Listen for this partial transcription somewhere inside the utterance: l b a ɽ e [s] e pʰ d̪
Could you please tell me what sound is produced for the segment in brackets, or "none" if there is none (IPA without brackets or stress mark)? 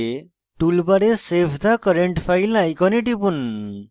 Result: s